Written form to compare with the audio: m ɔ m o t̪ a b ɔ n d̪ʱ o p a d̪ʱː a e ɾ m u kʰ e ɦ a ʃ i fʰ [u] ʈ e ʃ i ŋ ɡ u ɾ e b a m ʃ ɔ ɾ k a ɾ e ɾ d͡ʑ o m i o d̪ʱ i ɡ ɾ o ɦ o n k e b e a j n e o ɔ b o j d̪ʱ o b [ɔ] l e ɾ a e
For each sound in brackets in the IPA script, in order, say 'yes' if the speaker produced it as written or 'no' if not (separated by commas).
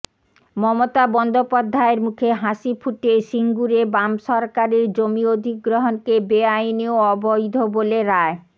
yes, no